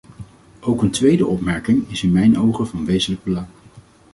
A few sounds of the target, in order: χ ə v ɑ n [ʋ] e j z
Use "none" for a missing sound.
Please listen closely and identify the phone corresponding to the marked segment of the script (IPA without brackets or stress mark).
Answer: ʋ